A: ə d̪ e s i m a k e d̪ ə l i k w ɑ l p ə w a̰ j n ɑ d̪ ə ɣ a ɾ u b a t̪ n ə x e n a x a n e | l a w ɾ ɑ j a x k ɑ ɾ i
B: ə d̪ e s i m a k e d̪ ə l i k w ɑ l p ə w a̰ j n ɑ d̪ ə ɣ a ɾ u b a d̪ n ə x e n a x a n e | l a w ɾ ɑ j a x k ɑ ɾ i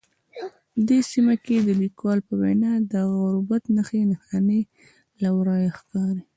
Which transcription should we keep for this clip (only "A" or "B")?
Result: A